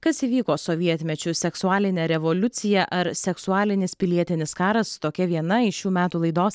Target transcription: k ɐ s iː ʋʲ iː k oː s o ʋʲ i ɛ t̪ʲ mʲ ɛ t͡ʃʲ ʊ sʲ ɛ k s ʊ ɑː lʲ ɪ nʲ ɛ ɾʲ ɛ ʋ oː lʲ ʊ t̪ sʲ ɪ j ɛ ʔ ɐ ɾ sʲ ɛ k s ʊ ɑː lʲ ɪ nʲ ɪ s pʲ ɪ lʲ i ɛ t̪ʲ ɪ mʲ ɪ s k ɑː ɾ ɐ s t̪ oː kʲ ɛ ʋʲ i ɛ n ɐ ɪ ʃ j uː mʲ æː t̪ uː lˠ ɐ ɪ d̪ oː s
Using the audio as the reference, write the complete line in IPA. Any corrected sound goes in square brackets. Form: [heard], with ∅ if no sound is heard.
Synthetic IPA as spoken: k ɐ s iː ʋʲ iː k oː s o ʋʲ i ɛ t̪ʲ mʲ ɛ t͡ʃʲ ʊ sʲ ɛ k s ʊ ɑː lʲ ɪ nʲ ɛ ɾʲ ɛ ʋ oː lʲ ʊ t̪ sʲ ɪ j ɛ ʔ ɐ ɾ sʲ ɛ k s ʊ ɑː lʲ ɪ nʲ ɪ s pʲ ɪ lʲ i ɛ t̪ʲ ɪ [nʲ] ɪ s k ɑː ɾ ɐ s t̪ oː kʲ ɛ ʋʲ i ɛ n ɐ ɪ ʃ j uː mʲ æː t̪ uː lˠ ɐ ɪ d̪ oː s